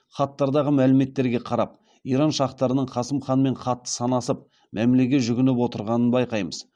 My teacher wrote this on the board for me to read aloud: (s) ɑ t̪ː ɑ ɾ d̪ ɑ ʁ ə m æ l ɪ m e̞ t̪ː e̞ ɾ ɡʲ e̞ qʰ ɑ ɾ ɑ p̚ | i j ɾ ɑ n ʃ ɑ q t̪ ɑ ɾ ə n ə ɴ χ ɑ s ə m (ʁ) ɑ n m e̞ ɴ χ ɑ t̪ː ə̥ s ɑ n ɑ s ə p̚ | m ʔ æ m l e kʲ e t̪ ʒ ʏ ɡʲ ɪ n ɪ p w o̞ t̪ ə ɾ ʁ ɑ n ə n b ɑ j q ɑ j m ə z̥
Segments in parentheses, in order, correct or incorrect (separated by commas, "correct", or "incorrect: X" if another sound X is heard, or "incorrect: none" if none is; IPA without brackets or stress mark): incorrect: χ, incorrect: χ